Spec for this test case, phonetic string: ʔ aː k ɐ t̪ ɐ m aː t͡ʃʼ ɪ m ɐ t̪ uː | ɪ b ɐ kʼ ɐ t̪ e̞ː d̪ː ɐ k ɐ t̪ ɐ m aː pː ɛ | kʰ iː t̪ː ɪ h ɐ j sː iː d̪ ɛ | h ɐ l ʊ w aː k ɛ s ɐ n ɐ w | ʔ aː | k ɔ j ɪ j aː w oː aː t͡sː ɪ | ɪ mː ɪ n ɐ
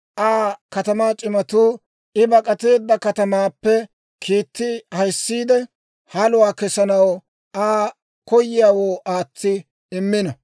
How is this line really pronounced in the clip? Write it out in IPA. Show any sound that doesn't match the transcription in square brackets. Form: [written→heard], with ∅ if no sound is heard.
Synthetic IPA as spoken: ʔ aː k ɐ t̪ ɐ m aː t͡ʃʼ ɪ m ɐ t̪ uː | ɪ b ɐ kʼ ɐ t̪ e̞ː d̪ː ɐ k ɐ t̪ ɐ m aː pː ɛ | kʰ iː t̪ː ɪ h ɐ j sː iː d̪ ɛ | h ɐ l ʊ w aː k ɛ s ɐ n ɐ w | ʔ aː | k ɔ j ɪ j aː w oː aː t͡sː ɪ | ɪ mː ɪ n ɐ